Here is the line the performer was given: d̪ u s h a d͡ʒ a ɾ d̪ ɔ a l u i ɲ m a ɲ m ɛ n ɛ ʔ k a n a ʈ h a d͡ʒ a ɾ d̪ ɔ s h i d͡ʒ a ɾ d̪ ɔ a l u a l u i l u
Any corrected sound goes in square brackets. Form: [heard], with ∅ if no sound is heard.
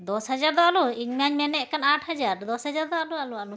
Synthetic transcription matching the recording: d̪ [ɔ] s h a d͡ʒ a ɾ d̪ ɔ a l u i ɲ m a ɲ m ɛ n ɛ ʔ k a n a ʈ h a d͡ʒ a ɾ d̪ ɔ s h [a] d͡ʒ a ɾ d̪ ɔ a l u a l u [a] l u